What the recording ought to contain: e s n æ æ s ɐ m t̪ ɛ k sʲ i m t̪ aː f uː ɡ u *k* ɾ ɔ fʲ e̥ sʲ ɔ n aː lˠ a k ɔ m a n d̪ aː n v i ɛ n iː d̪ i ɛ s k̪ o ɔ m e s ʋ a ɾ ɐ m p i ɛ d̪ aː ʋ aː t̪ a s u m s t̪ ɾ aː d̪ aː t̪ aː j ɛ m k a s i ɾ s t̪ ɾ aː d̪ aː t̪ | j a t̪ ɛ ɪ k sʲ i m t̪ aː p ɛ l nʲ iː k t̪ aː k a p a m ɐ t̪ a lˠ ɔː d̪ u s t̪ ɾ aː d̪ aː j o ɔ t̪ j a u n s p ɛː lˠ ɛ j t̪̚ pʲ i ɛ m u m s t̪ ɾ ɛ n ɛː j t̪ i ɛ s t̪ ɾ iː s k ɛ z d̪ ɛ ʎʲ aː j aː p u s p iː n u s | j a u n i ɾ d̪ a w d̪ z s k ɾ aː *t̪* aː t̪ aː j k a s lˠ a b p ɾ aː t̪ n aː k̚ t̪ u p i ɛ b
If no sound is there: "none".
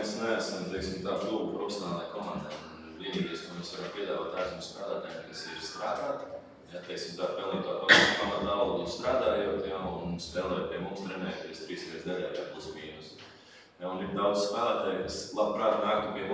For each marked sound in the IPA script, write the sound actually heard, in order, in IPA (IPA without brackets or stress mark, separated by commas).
p, d̪